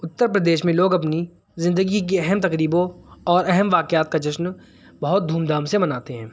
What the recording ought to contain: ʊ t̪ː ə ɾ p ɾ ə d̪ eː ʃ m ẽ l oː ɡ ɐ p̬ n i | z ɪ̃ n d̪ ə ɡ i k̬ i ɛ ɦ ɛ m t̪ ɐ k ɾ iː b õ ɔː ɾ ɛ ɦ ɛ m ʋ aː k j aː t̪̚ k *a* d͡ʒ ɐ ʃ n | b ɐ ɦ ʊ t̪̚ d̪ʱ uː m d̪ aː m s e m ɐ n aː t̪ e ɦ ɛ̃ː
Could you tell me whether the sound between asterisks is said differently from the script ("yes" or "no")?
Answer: no